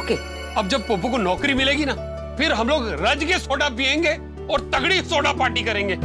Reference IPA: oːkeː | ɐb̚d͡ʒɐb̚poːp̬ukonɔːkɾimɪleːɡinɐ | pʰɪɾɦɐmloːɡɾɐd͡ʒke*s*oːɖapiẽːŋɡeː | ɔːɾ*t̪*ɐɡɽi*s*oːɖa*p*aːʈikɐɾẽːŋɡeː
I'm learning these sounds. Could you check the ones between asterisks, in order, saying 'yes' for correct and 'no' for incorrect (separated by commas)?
yes, yes, yes, yes